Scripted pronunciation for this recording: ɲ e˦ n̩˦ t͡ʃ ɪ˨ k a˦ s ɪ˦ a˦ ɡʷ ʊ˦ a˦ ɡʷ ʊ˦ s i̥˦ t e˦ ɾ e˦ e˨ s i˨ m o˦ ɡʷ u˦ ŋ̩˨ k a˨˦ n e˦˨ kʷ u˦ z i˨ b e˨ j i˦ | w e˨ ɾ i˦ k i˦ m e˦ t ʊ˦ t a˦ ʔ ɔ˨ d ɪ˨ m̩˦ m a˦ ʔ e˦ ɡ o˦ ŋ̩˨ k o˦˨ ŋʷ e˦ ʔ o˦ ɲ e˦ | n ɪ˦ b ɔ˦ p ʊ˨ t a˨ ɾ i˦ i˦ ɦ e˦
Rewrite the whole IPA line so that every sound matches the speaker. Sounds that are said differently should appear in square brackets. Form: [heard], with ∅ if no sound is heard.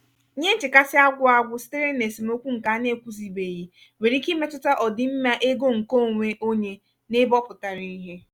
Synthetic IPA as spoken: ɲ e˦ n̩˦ t͡ʃ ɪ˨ k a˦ s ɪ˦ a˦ ɡʷ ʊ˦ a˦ ɡʷ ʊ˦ s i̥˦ t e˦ ɾ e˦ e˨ s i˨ m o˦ [kʷ] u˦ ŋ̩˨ k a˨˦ n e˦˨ kʷ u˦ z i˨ b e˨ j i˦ | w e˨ ɾ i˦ k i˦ m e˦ t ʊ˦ t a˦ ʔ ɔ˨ d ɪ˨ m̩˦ m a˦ ʔ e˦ ɡ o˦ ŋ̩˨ k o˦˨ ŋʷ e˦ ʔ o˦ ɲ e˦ | n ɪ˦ b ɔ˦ p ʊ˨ t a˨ ɾ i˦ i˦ ɦ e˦